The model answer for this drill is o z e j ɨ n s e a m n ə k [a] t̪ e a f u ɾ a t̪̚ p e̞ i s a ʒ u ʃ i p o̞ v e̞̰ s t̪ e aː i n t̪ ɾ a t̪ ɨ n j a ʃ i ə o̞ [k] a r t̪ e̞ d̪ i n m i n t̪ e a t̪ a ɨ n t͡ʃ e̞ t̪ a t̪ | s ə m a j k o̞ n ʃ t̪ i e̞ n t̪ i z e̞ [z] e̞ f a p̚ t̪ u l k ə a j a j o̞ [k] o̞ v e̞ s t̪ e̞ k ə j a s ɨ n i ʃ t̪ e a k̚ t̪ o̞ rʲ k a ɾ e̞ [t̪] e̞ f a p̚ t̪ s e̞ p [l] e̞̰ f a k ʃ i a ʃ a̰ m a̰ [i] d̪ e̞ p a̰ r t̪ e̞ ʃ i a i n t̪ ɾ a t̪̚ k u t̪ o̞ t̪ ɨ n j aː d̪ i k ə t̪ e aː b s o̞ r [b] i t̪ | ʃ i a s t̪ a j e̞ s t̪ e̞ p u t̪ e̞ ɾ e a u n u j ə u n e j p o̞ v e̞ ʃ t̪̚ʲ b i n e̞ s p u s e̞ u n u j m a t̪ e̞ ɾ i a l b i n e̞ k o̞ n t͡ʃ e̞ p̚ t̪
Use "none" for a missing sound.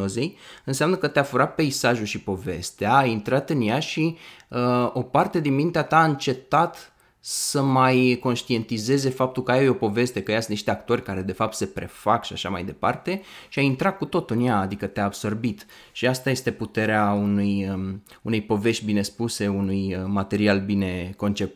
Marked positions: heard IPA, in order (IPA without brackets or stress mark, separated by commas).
ə, p, z, p, d̪, ɾ, j, b